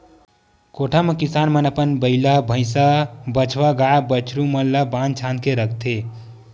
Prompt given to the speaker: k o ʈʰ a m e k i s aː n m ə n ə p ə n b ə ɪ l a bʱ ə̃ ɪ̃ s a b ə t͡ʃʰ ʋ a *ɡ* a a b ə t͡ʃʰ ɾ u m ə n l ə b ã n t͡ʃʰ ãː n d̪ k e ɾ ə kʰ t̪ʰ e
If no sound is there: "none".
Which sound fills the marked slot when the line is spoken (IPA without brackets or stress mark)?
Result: ɡ